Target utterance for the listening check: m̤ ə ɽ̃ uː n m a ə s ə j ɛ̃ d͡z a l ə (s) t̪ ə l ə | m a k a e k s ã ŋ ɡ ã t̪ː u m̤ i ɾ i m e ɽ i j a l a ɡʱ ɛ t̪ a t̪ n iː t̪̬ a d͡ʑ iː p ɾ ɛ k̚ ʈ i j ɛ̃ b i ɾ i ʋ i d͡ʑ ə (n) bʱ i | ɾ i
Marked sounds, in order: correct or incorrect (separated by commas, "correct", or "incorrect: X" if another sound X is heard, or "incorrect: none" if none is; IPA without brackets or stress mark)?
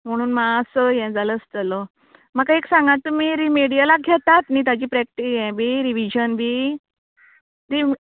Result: correct, correct